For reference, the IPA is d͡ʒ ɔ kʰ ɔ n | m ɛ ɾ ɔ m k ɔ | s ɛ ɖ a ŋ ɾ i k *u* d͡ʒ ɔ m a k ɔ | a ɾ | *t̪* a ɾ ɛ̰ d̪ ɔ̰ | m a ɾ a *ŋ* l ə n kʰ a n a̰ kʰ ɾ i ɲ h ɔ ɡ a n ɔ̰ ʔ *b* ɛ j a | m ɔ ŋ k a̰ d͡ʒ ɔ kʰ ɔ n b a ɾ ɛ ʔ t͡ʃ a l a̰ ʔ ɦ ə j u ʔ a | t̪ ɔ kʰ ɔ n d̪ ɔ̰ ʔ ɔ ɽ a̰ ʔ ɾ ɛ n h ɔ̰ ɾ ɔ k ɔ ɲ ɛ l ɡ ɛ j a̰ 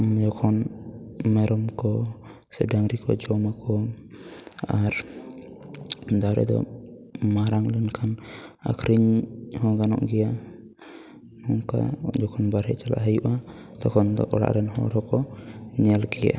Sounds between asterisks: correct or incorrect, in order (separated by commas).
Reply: incorrect, incorrect, correct, incorrect